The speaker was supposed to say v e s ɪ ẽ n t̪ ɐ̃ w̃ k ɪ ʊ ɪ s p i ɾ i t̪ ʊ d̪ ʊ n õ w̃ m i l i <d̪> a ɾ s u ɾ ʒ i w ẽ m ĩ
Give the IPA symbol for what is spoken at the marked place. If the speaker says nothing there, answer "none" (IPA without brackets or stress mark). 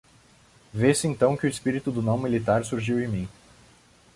t̪